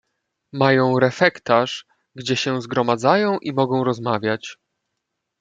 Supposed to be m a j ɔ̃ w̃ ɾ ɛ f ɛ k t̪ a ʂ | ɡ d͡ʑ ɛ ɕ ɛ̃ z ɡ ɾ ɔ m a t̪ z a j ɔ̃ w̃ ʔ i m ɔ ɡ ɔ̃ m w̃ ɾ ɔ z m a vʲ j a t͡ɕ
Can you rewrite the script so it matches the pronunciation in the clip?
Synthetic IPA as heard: m a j ɔ̃ w̃ ɾ ɛ f ɛ k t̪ a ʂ | ɡ d͡ʑ ɛ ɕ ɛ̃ z ɡ ɾ ɔ m a d̪ z a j ɔ̃ w̃ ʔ i m ɔ ɡ ɔ̃ w̃ ɾ ɔ z m a vʲ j a t͡ɕ